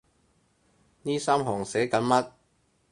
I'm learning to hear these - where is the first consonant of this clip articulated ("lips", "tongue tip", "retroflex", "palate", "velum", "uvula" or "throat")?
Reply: tongue tip